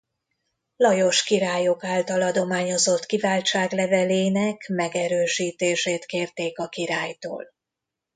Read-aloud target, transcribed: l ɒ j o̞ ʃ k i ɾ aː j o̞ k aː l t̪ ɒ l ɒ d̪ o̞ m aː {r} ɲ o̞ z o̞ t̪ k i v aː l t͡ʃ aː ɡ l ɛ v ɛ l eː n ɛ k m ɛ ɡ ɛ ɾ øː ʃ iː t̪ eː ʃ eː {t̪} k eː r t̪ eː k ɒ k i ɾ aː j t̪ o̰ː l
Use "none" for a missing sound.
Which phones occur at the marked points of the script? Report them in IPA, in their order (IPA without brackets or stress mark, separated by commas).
none, t̪